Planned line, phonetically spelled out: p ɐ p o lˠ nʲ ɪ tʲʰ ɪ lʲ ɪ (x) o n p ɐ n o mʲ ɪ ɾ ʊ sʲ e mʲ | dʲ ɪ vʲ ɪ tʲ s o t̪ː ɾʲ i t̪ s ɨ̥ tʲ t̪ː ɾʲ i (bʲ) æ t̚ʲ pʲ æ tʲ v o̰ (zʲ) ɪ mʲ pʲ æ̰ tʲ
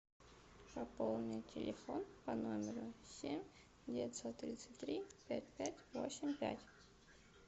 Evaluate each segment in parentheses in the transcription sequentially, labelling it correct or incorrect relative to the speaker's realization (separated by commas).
incorrect, incorrect, incorrect